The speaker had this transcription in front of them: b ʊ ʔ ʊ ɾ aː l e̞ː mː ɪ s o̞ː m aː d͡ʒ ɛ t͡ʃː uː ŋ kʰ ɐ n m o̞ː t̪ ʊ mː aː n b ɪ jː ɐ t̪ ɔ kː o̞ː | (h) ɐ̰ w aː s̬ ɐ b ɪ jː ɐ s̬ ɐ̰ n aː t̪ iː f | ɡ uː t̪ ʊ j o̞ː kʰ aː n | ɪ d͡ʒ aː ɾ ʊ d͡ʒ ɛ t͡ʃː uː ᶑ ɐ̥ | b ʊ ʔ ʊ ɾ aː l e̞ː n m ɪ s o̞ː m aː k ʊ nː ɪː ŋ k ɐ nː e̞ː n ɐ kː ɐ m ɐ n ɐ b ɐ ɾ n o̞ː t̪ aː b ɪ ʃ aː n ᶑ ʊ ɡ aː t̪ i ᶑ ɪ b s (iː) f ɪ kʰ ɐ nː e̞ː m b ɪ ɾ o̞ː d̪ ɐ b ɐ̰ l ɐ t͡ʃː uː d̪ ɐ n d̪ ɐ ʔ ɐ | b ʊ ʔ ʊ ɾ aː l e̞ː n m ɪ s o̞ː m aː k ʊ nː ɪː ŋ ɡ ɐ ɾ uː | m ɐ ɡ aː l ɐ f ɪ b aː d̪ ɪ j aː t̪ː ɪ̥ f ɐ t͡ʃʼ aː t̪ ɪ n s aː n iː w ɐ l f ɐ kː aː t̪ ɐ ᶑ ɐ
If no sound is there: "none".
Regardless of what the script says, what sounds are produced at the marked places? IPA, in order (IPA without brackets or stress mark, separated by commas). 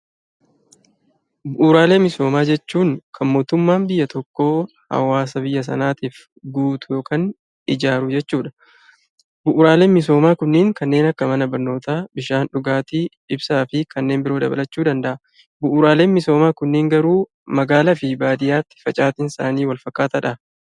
h, aː